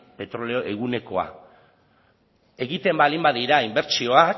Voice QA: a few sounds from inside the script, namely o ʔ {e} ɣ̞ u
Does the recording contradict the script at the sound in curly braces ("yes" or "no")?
no